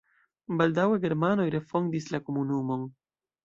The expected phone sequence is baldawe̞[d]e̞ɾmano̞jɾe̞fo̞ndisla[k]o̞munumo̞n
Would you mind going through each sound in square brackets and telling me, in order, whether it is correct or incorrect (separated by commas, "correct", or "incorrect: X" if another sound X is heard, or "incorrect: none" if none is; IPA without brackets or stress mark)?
incorrect: ɡ, correct